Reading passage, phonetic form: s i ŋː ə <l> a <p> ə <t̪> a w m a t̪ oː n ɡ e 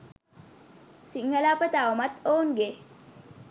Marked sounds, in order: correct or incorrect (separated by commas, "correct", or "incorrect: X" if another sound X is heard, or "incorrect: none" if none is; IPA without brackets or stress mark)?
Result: correct, correct, correct